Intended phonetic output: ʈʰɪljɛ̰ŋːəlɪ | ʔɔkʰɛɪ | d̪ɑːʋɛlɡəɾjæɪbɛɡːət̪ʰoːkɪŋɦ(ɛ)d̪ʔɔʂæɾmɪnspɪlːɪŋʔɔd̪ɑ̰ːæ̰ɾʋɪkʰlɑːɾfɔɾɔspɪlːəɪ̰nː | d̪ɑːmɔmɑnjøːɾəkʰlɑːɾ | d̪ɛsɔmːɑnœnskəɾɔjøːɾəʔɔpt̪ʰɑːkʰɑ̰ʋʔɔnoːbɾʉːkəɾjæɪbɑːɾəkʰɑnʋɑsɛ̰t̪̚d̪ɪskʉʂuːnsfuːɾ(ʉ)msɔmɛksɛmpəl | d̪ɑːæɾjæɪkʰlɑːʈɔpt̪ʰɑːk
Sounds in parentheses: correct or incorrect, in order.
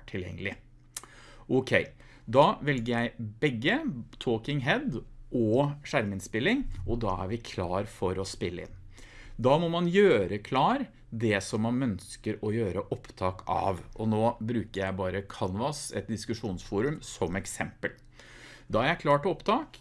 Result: correct, correct

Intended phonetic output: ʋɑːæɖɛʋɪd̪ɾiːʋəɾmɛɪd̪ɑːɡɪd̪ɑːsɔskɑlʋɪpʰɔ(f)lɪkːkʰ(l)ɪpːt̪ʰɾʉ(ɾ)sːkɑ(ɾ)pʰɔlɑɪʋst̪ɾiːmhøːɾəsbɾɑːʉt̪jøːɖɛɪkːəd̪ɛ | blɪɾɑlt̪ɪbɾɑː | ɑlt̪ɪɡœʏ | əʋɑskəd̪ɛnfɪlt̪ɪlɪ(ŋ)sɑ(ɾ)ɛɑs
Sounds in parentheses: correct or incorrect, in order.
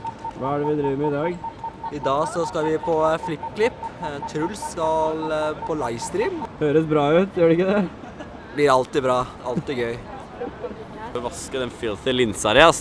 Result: correct, correct, incorrect, incorrect, incorrect, correct

